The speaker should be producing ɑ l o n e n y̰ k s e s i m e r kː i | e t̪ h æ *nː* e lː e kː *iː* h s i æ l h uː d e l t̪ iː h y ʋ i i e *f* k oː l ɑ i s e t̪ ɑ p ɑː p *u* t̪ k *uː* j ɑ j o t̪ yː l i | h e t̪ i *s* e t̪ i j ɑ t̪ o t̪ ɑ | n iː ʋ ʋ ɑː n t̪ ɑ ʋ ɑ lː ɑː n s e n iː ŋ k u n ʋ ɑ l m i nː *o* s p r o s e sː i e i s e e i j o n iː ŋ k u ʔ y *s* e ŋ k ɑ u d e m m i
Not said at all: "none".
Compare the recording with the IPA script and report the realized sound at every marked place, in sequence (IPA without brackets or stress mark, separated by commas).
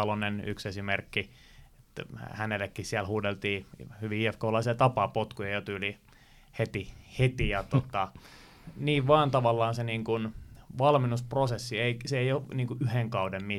n, i, f, o, u, h, u, h